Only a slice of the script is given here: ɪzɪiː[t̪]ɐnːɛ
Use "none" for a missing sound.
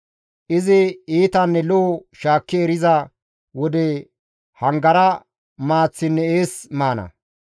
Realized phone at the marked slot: t̪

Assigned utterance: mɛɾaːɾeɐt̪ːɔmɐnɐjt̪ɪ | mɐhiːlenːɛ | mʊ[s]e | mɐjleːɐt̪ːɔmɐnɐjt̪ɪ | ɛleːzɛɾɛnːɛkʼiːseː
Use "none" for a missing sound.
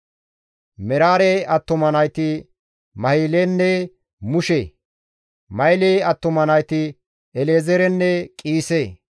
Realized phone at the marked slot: ʃ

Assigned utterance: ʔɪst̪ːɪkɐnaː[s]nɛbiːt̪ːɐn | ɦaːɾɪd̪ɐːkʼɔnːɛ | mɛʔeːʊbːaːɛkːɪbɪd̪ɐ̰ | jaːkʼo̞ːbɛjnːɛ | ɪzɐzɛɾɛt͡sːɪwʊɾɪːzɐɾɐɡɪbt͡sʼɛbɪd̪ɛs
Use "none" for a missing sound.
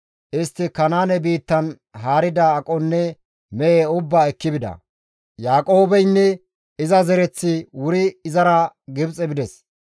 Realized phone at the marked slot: none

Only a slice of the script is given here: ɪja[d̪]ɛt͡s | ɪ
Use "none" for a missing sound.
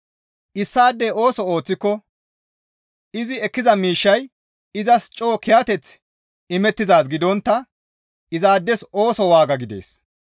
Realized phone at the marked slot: t̪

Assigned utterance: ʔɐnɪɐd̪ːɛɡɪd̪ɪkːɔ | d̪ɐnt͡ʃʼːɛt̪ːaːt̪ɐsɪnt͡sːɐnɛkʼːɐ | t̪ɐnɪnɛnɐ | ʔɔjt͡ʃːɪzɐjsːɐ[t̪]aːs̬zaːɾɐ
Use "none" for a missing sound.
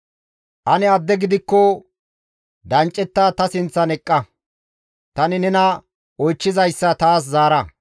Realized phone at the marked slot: t̪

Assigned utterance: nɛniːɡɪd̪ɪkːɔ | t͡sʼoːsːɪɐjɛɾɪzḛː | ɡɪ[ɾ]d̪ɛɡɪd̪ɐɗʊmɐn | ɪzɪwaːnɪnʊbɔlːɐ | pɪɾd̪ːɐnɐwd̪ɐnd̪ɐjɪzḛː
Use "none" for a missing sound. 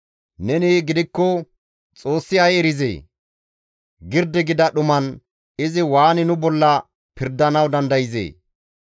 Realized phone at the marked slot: ɾ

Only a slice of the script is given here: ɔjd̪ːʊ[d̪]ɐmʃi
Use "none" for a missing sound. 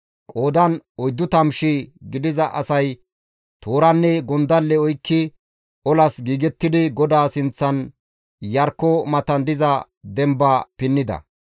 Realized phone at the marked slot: t̪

